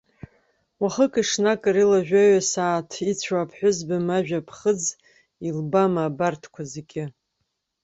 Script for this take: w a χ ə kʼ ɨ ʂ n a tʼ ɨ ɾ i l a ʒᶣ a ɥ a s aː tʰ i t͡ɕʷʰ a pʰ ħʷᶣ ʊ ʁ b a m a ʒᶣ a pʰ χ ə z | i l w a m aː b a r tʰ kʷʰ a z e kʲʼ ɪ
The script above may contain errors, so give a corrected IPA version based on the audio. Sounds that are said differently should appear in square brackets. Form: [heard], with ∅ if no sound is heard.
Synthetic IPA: w a χ ə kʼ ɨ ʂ n a [kʼ] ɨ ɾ i l a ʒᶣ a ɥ a s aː tʰ i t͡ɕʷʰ a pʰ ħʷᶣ ʊ [z] b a m a ʒᶣ a pʰ χ ə [d͡z] | i l [b] a m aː b a r tʰ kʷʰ a z e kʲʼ ɪ